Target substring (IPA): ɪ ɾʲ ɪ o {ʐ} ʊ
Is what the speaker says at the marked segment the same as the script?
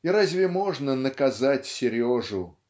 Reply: yes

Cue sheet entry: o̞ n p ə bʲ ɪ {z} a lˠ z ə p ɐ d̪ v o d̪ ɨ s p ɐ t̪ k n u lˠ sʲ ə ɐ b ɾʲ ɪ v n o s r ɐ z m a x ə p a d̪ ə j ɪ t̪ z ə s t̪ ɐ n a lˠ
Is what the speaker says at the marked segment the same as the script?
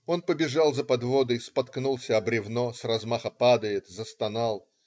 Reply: no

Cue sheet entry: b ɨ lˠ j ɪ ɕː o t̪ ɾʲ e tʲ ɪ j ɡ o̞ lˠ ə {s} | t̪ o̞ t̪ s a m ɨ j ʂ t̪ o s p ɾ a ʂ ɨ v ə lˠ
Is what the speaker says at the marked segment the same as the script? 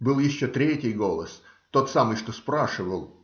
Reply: yes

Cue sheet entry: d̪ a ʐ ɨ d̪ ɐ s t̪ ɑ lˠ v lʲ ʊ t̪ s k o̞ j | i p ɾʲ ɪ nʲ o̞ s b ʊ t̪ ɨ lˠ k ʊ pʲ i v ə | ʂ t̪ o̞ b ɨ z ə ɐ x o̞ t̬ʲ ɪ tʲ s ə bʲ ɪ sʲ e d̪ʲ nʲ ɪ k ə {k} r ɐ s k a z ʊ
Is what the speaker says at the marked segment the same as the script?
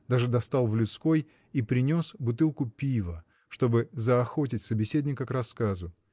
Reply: yes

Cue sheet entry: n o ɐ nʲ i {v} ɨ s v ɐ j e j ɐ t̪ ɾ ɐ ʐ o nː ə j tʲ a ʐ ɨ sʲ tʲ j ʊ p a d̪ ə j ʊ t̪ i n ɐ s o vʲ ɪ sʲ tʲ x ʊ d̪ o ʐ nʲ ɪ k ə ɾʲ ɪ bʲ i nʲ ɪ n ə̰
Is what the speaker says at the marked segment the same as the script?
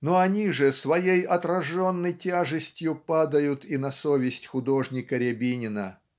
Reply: no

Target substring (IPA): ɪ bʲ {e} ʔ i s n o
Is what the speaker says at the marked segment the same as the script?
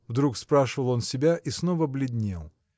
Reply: no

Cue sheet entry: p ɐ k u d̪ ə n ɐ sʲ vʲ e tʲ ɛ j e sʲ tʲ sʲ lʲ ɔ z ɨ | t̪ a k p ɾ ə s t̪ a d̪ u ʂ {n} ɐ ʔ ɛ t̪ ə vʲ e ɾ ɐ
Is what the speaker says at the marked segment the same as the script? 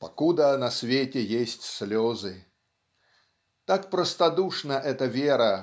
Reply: yes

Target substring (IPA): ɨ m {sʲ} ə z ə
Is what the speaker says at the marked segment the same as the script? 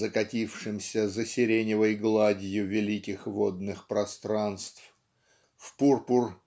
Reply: yes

